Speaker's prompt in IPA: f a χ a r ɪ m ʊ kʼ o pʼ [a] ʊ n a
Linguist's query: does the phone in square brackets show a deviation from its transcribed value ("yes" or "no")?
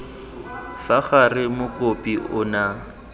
yes